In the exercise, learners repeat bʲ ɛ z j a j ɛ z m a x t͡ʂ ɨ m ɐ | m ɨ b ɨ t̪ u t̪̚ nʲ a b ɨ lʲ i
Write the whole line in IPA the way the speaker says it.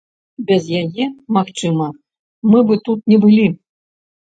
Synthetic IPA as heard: bʲ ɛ z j a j ɛ m a x t͡ʂ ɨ m ɐ | m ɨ b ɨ t̪ u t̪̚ nʲ ɛ b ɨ lʲ i